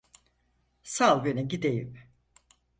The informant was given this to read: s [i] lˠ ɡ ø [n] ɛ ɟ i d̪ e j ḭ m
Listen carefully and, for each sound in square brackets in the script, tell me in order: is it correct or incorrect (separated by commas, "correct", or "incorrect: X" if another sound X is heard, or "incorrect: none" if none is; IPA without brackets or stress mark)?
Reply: incorrect: a, correct